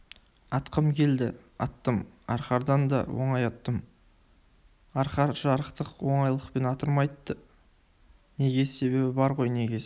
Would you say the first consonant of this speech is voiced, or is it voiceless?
voiceless